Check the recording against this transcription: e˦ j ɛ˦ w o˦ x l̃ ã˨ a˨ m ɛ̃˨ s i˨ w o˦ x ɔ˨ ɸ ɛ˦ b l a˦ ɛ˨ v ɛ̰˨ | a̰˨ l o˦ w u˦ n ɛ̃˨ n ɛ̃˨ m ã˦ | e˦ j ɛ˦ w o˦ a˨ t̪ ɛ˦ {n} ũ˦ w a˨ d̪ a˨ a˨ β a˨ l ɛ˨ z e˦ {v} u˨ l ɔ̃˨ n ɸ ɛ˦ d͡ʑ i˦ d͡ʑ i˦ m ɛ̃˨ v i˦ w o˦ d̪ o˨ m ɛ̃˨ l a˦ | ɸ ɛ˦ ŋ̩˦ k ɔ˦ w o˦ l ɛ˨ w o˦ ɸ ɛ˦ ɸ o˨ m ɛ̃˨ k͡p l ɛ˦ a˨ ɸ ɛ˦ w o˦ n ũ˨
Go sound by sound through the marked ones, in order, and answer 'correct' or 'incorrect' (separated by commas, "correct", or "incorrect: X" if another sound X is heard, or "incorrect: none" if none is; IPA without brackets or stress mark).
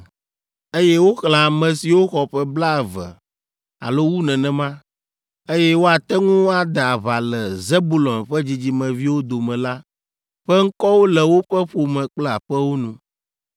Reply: incorrect: ŋ, incorrect: b